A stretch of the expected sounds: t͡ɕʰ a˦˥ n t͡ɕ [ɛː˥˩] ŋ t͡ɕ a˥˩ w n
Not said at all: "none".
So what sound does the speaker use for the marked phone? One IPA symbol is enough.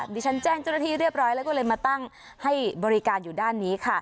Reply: ɛː˥˩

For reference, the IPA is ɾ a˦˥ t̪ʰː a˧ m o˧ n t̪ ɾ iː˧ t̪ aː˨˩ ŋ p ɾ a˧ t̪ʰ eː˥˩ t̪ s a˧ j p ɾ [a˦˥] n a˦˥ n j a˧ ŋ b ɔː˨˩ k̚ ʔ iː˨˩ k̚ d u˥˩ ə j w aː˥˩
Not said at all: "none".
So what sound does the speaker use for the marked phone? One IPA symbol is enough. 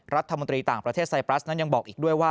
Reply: a˦˥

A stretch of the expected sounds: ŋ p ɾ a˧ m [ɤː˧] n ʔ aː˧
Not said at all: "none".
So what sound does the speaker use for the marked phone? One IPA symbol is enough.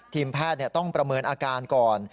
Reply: ɤː˧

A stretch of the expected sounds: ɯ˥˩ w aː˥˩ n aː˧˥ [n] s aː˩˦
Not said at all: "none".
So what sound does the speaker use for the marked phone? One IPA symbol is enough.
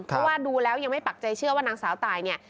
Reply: ŋ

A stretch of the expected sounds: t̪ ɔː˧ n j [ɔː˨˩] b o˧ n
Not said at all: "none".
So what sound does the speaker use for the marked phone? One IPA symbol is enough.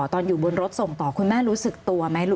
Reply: uː˨˩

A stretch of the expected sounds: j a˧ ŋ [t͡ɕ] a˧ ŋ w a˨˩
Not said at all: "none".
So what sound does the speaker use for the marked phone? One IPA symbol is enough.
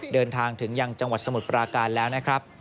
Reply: t͡ɕ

